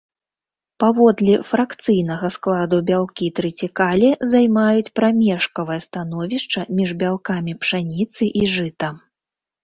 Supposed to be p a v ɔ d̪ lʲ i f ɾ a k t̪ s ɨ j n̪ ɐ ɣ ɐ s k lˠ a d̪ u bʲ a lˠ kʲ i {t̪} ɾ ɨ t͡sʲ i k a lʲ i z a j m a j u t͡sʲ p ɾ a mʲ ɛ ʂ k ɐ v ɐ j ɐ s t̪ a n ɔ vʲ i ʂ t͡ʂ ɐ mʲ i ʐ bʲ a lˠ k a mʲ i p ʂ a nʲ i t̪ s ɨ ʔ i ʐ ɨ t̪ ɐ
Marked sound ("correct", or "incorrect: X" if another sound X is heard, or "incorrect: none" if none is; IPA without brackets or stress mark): correct